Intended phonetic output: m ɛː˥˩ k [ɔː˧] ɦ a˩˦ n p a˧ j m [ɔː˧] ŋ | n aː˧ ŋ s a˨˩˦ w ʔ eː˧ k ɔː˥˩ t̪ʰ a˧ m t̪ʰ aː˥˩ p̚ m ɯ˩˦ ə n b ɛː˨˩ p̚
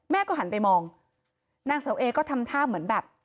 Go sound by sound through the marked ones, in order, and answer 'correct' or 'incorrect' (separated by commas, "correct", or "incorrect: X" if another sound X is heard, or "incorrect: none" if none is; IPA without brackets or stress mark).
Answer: incorrect: ɔː˥˩, correct